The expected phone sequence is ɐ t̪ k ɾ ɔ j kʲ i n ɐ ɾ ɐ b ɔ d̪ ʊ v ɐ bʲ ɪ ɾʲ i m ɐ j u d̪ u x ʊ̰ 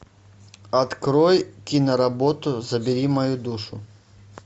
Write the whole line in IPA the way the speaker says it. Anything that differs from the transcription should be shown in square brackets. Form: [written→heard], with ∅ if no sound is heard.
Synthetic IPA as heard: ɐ t̪ k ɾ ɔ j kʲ i n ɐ ɾ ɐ b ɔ [d̪→t̪] ʊ [v→z] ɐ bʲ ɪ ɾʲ i m ɐ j u d̪ u [x→ʂ] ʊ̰